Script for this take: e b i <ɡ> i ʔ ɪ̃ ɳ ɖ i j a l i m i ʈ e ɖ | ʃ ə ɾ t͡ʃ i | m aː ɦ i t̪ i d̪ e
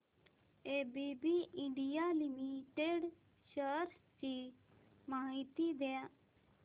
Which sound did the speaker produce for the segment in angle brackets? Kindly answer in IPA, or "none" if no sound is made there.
b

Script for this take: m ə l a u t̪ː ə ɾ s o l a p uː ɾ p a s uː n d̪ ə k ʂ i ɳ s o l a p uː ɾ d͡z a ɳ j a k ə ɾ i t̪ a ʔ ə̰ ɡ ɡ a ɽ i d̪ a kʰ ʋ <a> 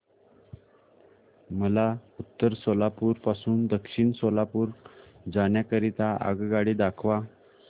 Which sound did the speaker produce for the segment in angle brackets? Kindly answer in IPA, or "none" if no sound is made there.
a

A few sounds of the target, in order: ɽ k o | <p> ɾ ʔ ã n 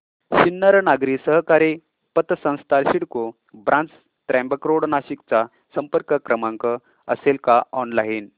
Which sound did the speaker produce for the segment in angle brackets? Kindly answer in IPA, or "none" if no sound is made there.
b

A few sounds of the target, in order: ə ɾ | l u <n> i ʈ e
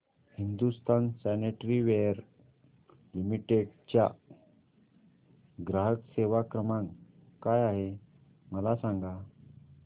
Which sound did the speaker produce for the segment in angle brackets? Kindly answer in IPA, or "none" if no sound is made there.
m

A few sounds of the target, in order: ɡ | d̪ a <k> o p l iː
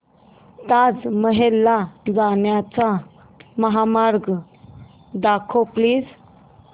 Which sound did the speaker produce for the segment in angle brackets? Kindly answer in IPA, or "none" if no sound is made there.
kʰ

